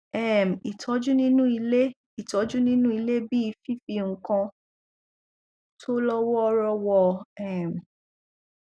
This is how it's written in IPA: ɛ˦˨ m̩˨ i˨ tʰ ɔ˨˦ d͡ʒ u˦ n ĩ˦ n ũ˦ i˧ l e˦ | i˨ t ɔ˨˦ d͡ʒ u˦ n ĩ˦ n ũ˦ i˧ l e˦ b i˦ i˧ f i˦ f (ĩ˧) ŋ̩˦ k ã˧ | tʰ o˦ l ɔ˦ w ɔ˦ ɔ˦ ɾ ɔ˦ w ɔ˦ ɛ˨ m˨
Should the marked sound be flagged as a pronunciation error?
yes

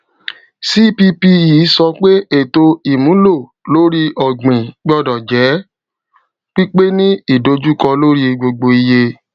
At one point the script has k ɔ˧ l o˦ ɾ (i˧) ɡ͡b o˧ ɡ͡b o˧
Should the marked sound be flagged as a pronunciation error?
no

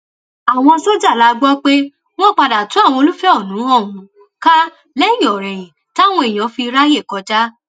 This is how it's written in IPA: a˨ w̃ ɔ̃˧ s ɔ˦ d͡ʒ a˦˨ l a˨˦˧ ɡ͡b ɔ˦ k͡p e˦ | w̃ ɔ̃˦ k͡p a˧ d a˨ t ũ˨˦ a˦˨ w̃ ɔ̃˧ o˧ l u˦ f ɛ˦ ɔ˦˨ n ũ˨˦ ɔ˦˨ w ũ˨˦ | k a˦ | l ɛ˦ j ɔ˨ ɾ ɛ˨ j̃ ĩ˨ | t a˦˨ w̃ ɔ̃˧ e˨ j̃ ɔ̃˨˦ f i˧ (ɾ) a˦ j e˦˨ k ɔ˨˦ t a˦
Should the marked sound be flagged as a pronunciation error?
no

